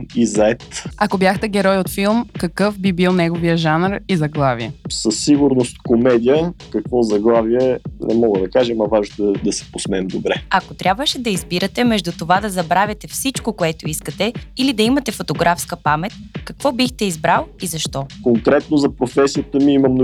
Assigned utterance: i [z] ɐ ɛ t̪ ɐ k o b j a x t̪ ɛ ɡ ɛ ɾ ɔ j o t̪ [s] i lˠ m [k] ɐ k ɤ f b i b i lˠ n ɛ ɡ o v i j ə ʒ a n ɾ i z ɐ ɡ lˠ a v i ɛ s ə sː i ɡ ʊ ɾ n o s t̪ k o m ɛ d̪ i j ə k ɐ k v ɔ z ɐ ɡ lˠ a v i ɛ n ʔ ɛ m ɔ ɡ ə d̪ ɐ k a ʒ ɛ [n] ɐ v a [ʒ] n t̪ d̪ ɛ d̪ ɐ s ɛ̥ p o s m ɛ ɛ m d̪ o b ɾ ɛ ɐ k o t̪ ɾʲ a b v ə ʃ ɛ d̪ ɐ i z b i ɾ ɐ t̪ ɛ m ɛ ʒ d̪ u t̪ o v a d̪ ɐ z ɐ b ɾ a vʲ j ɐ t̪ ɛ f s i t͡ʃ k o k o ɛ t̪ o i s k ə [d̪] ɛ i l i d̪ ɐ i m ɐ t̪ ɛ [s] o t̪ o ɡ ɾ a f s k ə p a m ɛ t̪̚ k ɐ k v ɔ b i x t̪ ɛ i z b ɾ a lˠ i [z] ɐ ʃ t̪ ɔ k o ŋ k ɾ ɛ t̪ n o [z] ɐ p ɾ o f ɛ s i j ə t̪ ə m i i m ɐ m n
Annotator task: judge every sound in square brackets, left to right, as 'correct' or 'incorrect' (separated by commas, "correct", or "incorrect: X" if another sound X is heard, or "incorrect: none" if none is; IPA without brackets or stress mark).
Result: correct, incorrect: f, correct, incorrect: m, correct, incorrect: t̪, incorrect: f, correct, correct